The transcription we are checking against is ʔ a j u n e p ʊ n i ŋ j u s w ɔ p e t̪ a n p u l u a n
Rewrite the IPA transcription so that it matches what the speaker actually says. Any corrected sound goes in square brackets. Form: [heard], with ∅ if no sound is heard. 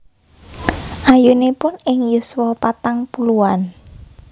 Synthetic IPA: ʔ a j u n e p ʊ n [ɪ] ŋ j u s w ɔ p [a] t̪ a [ŋ] p u l u a n